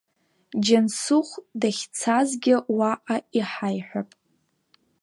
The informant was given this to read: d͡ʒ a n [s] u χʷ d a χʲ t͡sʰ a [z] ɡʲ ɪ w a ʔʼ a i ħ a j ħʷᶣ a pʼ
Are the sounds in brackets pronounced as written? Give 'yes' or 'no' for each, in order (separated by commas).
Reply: yes, yes